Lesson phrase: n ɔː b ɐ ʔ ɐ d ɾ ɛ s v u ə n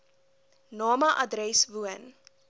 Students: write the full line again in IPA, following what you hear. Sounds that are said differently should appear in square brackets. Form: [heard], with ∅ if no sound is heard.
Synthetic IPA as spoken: n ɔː [m] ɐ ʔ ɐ d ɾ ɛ s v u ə n